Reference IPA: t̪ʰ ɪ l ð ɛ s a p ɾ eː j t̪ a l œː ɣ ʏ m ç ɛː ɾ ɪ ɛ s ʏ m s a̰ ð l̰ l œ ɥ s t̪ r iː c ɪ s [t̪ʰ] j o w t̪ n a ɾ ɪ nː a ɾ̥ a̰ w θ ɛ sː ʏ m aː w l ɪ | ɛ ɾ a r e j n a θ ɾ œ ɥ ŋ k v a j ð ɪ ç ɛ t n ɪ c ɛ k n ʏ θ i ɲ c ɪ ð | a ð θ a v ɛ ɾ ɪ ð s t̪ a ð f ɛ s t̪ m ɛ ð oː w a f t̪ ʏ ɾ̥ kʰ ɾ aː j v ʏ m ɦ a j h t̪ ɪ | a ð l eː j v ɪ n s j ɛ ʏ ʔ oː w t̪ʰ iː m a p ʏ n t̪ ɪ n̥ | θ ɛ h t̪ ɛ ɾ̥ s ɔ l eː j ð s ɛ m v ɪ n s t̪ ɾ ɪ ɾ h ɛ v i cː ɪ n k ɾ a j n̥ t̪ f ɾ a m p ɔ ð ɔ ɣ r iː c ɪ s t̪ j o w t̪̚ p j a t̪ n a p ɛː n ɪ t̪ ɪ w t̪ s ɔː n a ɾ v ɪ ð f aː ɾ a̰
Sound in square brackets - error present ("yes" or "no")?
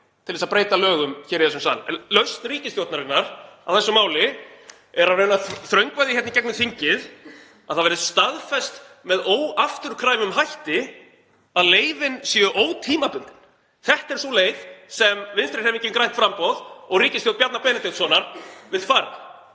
yes